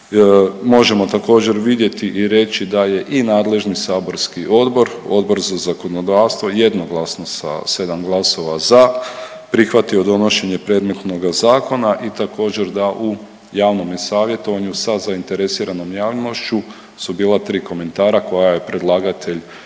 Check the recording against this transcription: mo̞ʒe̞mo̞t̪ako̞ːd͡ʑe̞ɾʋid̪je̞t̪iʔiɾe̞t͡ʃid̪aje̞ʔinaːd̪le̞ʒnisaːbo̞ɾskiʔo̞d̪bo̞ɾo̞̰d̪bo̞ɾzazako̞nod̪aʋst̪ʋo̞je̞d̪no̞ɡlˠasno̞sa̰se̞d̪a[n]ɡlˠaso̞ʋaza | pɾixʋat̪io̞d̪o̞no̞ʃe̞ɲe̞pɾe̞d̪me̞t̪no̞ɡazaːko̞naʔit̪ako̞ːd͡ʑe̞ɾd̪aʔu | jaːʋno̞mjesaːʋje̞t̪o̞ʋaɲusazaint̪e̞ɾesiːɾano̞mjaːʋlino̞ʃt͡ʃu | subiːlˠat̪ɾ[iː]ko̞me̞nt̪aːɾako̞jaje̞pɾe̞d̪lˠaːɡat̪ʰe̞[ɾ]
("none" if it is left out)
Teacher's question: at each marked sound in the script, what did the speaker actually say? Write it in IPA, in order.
m, iː, ʎ

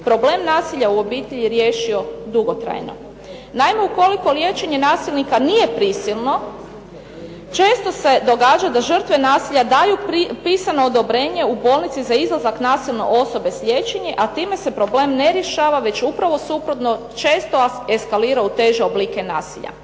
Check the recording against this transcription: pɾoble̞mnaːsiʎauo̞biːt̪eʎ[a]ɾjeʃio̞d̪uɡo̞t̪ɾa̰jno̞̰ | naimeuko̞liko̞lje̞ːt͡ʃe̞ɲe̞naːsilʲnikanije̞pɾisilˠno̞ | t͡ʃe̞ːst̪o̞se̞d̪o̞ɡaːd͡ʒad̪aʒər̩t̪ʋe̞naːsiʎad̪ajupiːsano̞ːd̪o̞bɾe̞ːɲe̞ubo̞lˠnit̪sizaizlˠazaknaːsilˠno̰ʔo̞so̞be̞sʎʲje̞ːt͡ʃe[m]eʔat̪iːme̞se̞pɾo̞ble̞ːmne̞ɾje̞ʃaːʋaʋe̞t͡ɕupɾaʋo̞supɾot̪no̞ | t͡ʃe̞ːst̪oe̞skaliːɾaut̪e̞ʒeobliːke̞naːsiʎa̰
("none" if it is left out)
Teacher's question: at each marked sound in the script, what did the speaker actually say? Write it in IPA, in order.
i, ɲ

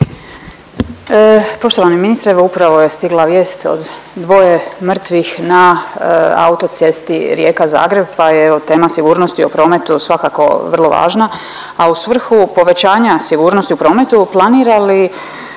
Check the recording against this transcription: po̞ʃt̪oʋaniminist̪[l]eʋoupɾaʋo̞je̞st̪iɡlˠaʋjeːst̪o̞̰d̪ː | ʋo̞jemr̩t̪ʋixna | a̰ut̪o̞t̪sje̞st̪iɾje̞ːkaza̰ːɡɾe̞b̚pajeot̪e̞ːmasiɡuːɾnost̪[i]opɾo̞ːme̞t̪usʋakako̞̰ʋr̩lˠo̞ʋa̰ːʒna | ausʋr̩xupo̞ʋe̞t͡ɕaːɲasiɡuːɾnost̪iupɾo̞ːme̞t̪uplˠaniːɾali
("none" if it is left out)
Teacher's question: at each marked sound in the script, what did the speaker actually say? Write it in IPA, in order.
ɾ, i

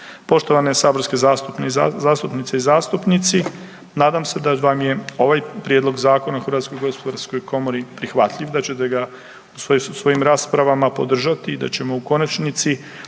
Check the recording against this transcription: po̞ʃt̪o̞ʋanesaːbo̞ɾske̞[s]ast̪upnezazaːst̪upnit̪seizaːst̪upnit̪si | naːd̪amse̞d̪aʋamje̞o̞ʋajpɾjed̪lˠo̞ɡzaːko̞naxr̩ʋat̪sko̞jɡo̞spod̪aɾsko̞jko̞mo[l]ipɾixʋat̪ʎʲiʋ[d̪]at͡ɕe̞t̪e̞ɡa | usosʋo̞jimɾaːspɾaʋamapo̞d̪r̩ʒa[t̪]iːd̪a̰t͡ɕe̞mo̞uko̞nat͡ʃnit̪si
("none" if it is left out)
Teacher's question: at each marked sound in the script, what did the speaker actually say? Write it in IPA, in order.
z, ɾ, d̪, t̪

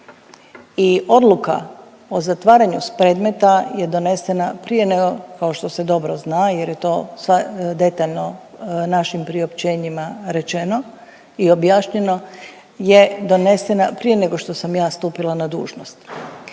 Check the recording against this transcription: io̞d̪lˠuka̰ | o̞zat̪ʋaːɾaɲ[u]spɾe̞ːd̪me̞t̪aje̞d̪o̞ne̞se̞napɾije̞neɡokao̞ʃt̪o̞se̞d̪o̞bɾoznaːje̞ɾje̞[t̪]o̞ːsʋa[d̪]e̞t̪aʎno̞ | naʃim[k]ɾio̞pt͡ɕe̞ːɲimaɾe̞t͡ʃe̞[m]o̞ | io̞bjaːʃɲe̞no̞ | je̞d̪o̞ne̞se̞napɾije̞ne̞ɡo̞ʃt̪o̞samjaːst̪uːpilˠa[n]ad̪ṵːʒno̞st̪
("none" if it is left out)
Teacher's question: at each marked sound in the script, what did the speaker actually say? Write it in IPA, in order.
u, t̪, d̪, p, n, n

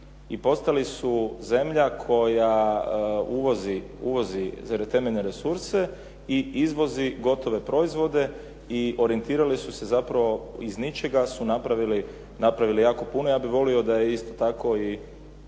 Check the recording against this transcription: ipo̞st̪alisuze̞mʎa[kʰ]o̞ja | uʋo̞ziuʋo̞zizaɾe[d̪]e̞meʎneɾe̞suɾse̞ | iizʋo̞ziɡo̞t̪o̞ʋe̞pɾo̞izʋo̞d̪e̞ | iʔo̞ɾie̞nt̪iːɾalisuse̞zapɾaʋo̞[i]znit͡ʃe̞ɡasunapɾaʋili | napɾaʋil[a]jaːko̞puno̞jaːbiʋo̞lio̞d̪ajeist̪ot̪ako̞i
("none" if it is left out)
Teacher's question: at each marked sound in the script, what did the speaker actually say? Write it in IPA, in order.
kʰ, t̪, i, i

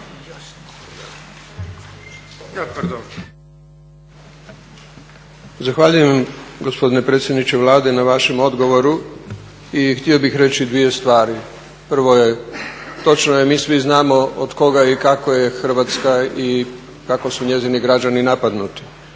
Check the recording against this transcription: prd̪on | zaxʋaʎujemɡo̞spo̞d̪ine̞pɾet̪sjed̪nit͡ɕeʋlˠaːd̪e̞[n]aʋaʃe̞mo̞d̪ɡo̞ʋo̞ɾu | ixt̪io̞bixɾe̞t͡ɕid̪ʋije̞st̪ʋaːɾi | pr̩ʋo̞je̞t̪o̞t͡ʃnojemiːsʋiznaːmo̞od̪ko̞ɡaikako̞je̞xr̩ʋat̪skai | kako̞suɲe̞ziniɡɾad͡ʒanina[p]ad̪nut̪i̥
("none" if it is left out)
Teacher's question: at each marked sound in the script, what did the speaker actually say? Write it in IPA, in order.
n, p

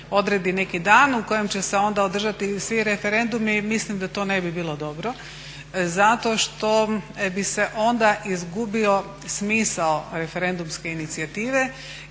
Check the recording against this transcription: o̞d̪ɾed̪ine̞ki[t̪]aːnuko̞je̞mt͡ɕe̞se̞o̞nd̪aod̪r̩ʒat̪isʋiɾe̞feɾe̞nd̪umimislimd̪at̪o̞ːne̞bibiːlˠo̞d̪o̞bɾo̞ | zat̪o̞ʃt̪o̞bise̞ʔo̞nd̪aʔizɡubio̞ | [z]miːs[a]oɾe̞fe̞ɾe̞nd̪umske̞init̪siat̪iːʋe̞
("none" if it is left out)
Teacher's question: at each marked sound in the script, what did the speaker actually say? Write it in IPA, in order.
d̪, s, a

